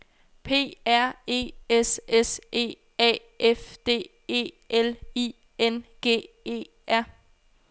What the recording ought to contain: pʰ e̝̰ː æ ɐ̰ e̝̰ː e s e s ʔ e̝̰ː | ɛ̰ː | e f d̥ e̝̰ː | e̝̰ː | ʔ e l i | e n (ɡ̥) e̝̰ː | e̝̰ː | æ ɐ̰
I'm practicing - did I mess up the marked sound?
no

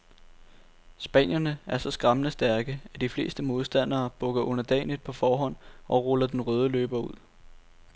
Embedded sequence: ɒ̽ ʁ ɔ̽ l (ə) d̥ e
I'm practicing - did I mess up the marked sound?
yes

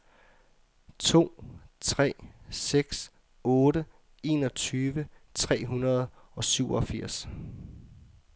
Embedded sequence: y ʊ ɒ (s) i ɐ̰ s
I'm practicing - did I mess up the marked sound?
yes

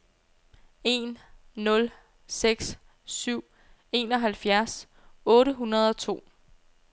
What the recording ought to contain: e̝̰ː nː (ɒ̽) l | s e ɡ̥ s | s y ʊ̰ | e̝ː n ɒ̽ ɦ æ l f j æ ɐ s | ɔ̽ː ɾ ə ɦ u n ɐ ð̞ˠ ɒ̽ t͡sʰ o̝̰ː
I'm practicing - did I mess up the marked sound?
yes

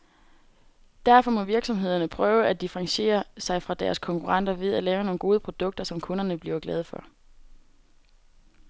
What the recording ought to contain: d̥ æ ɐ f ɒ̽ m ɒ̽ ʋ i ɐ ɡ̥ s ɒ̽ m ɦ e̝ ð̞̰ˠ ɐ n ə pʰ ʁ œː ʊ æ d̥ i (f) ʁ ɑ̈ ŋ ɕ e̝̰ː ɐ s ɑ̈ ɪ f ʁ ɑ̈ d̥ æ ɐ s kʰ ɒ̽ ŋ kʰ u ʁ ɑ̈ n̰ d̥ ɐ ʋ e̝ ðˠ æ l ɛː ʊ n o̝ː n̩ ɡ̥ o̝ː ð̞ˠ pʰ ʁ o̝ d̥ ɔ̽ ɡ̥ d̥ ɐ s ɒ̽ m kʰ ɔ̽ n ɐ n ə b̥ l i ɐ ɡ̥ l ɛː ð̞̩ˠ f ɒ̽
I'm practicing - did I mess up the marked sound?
no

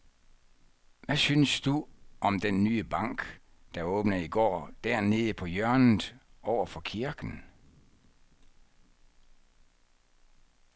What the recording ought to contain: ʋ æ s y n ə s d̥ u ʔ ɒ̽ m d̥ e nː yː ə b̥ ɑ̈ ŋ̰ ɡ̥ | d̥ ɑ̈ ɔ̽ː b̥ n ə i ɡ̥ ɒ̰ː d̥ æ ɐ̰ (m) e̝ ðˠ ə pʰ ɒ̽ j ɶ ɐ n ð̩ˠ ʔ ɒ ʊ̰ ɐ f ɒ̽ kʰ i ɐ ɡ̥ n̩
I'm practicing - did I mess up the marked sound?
yes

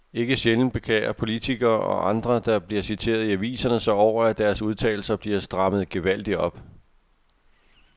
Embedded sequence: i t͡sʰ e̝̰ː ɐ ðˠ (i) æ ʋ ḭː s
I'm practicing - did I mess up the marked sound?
no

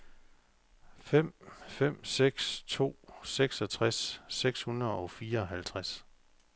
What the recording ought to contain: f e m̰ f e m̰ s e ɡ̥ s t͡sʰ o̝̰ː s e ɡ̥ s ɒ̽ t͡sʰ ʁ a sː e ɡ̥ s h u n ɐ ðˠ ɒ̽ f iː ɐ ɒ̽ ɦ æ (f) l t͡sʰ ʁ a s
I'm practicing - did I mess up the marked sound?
yes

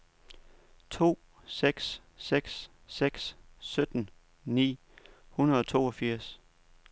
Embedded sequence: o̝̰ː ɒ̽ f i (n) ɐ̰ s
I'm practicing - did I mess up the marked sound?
yes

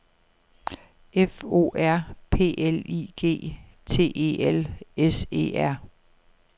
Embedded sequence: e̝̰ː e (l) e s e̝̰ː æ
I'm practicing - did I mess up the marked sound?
no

